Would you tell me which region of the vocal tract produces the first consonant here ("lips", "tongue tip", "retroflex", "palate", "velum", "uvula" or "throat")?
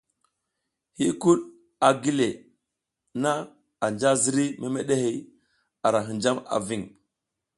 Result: throat